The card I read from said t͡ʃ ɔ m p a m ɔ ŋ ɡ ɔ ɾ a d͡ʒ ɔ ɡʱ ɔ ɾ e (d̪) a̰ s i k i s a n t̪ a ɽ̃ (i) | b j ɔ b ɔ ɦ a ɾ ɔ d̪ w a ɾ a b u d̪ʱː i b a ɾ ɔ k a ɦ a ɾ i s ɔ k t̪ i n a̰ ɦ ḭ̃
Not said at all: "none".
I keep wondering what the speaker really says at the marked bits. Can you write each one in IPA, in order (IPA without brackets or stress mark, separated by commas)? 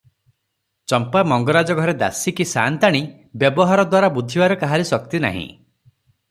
d̪, i